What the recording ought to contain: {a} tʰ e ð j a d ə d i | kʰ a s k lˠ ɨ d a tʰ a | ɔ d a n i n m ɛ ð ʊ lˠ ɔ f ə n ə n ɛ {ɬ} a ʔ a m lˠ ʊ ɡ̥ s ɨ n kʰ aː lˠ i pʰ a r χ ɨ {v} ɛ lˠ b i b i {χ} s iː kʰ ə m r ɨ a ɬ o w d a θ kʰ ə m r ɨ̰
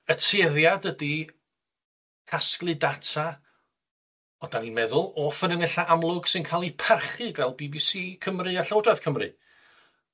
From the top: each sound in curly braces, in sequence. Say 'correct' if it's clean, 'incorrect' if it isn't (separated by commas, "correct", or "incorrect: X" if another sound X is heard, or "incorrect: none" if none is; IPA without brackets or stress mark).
incorrect: ə, correct, correct, incorrect: none